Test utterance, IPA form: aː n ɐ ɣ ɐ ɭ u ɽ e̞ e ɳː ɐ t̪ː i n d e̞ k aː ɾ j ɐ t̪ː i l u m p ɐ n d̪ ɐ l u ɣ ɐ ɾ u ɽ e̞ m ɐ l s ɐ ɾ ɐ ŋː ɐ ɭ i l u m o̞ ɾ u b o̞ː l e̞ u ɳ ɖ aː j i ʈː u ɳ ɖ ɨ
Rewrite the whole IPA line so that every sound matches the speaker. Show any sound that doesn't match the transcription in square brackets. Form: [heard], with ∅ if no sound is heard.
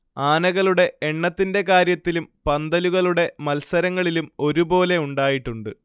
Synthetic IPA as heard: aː n ɐ ɣ ɐ ɭ u ɽ e̞ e ɳː ɐ t̪ː i n d e̞ k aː ɾ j ɐ t̪ː i l u m p ɐ n d̪ ɐ l u ɣ ɐ [ɭ] u ɽ e̞ m ɐ l s ɐ ɾ ɐ ŋː ɐ ɭ i l u m o̞ ɾ u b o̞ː l e̞ u ɳ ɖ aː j i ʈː u ɳ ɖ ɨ